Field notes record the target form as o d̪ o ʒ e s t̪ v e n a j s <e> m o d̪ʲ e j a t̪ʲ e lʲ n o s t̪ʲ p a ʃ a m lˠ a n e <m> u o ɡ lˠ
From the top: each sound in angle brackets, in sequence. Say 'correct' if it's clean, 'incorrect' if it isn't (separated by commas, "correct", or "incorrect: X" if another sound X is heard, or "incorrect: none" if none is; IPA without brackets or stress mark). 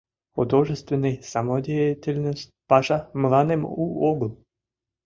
incorrect: a, correct